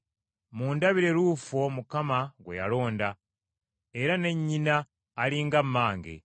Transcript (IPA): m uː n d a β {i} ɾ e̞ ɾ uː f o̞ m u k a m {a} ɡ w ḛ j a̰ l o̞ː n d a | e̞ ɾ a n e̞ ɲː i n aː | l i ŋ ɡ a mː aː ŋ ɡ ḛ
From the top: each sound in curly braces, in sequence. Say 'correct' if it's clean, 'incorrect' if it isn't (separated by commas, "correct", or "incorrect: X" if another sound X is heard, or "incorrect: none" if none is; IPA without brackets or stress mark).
correct, correct